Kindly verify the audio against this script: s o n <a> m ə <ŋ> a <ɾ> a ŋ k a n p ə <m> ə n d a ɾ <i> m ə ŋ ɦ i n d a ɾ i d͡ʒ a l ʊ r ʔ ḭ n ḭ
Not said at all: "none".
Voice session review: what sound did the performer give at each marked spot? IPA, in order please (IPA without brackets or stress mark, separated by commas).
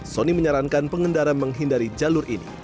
i, ɲ, ɾ, ŋ, a